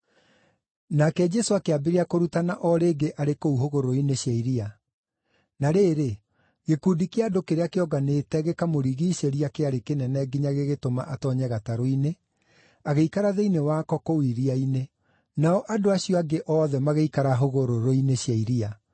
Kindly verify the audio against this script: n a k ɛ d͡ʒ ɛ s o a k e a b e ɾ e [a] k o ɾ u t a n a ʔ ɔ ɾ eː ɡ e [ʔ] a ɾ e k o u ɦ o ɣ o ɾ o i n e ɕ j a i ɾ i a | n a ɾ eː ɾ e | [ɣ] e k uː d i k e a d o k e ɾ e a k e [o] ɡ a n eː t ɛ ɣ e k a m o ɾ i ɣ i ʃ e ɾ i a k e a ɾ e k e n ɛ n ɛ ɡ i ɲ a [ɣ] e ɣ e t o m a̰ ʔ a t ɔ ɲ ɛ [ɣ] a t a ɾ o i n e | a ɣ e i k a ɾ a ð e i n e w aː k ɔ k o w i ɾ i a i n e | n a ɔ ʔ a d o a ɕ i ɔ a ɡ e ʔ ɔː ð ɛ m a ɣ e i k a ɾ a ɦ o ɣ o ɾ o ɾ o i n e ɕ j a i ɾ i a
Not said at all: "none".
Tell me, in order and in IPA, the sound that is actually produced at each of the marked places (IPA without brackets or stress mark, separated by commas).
a, ʔ, ɣ, ɔ, ɣ, ɣ